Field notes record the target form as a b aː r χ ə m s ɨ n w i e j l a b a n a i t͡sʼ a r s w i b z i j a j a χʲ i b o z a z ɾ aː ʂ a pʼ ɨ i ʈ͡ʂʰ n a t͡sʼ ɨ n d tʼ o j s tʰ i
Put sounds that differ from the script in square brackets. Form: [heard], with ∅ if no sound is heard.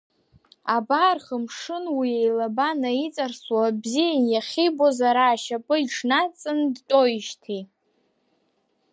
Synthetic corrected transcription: a b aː r χ ə m [ʂ] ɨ n w i e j l a b a n a i t͡sʼ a r s w [a] b z i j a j a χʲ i b o z a [∅] ɾ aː [ʃ] a pʼ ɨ i ʈ͡ʂʰ n a t͡sʼ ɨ n d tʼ o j [ʃ] tʰ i